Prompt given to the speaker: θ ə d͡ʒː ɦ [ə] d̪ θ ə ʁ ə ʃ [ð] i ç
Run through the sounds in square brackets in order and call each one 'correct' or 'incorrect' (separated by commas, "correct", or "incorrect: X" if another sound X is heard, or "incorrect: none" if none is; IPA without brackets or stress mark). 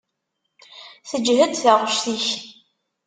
correct, incorrect: θ